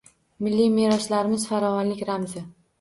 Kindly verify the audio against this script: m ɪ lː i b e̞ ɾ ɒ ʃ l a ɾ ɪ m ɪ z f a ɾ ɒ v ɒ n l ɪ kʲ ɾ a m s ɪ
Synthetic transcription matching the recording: m ɪ lː i m e̞ ɾ ɒ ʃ l a ɾ ɪ m ɪ z f a ɾ ɒ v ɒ n l ɪ kʲ ɾ a m z ɪ